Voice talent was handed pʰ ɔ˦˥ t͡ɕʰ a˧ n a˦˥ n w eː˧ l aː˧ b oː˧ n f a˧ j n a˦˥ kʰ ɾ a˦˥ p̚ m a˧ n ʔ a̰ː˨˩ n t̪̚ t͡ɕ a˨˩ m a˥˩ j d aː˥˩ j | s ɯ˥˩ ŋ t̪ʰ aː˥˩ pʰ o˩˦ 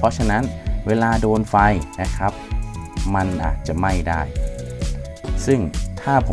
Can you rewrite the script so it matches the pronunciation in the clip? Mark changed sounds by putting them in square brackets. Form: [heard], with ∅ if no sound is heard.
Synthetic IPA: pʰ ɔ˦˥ t͡ɕʰ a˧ n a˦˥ n w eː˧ l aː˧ [d] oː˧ n f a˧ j n a˦˥ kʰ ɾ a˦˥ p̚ m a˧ n ʔ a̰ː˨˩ [∅] t̪̚ t͡ɕ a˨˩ m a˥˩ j d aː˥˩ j | s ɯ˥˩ ŋ t̪ʰ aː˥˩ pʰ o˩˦